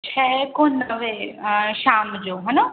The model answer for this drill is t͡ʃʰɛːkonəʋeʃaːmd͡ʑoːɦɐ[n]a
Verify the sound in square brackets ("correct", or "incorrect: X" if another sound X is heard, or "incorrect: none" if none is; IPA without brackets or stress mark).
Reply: correct